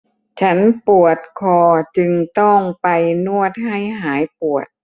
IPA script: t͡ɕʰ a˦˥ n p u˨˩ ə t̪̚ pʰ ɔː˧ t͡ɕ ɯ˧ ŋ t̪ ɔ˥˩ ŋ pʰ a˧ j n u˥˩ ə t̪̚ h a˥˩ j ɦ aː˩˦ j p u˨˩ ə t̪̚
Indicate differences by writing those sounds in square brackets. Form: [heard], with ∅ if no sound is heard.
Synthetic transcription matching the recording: t͡ɕʰ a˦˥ n p u˨˩ ə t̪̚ [kʰ] ɔː˧ t͡ɕ ɯ˧ ŋ t̪ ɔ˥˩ ŋ [p] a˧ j n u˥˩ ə t̪̚ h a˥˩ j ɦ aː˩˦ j p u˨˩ ə t̪̚